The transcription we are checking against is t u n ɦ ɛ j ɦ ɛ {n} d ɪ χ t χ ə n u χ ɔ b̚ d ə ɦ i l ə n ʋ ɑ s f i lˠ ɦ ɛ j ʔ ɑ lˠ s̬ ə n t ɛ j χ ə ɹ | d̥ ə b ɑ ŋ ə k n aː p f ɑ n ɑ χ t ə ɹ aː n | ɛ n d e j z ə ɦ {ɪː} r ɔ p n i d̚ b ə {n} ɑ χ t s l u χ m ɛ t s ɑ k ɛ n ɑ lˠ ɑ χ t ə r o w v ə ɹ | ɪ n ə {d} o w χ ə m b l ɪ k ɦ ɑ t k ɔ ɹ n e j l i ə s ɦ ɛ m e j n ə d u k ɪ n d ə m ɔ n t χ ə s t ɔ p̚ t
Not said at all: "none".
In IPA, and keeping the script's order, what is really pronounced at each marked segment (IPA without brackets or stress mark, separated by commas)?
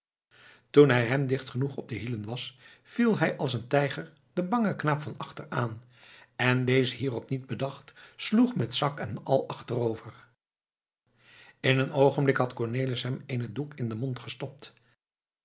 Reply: m, iː, d, n